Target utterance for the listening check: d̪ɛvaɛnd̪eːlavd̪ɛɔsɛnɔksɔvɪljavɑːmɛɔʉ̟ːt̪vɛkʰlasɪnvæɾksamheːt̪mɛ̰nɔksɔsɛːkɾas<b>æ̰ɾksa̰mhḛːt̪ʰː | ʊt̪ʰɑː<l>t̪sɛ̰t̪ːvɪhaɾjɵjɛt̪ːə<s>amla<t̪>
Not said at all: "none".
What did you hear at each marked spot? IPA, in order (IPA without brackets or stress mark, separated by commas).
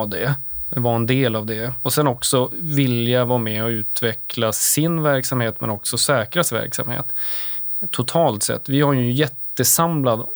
v, l, s, d̪